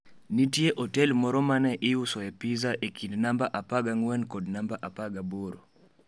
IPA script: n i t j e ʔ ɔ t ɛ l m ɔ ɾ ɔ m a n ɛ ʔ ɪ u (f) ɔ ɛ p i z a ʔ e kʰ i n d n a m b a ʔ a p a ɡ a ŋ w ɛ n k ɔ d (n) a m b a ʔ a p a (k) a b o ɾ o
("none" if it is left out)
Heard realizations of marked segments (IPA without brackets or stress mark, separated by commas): s, n, ɡ